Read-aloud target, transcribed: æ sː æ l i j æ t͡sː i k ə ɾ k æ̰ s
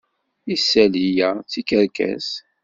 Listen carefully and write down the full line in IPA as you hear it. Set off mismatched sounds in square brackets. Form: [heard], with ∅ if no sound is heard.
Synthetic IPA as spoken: [i] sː æ l i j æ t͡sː i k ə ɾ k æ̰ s